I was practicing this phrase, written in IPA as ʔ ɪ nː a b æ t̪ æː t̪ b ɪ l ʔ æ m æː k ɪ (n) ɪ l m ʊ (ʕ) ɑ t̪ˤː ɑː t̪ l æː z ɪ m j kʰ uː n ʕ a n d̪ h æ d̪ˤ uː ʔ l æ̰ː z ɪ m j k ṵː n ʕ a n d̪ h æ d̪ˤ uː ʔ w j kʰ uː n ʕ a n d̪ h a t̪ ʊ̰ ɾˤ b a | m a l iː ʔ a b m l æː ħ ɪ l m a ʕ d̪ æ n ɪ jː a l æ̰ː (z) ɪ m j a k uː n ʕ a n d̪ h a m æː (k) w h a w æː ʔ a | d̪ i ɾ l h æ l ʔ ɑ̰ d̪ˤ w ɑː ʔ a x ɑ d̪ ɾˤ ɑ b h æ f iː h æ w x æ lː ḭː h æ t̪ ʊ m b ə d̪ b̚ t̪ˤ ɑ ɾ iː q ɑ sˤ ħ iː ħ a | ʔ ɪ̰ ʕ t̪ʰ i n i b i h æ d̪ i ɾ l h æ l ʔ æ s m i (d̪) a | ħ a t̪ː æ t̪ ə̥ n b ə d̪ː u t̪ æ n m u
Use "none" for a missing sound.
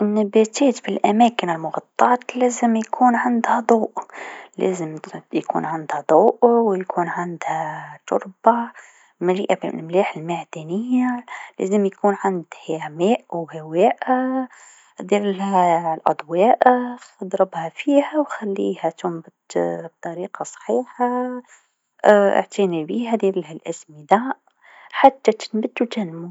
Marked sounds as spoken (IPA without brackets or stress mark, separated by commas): n, ɣ, z, ʔ, d̪